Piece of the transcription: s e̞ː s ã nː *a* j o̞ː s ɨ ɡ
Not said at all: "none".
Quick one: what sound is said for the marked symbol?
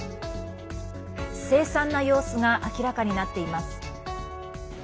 a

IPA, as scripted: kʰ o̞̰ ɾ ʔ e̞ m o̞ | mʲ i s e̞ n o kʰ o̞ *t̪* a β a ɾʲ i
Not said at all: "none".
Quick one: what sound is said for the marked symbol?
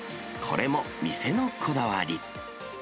d̪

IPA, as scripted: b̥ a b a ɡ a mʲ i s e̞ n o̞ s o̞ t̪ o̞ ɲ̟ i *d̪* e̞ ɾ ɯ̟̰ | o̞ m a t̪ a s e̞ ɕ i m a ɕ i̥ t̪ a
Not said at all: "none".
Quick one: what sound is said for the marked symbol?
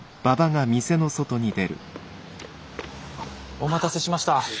d̪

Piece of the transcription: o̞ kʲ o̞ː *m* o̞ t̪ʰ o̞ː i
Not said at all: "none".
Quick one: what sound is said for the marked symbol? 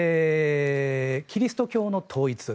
n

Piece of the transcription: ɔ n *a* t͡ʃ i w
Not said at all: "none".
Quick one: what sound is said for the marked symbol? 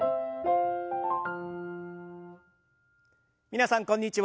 i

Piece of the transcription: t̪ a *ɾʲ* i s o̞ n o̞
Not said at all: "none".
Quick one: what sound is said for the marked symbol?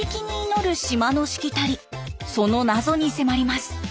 ɾʲ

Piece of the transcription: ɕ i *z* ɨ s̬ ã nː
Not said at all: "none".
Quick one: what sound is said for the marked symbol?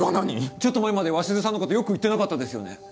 z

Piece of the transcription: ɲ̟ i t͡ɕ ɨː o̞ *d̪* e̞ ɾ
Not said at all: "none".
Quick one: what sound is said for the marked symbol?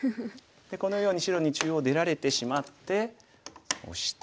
d̪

